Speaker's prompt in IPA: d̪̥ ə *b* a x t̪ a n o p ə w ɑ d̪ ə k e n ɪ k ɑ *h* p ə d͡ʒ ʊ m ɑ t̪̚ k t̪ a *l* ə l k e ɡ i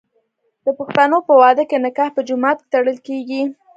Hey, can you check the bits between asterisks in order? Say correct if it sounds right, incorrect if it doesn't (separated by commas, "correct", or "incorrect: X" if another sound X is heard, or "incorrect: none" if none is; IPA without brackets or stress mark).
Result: incorrect: p, correct, incorrect: ɽ